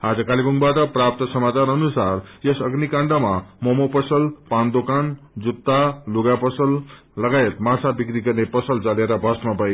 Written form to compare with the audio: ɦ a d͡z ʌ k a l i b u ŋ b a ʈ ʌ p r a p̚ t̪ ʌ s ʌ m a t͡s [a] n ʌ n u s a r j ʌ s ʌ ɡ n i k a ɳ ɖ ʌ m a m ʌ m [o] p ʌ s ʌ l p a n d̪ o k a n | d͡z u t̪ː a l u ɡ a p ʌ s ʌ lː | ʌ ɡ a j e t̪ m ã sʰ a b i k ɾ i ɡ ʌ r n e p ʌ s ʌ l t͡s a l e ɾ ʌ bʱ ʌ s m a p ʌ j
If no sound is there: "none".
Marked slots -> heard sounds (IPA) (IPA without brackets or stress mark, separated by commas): a, o